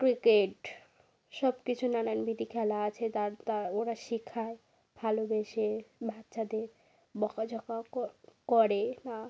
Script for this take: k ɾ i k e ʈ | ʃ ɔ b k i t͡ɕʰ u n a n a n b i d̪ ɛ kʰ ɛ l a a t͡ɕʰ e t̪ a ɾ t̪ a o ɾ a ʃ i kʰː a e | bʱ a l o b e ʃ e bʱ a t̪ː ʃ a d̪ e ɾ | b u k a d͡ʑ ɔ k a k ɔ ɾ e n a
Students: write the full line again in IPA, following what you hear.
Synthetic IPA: k ɾ i k e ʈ | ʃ ɔ b k i t͡ɕʰ u n a n a n b i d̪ i kʰ ɛ l a a t͡ɕʰ e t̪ a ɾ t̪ a o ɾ a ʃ i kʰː a e | bʱ a l o b e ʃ e bʱ a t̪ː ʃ a d̪ e ɾ | b ɔ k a d͡ʑ ɔ k a k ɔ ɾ e n a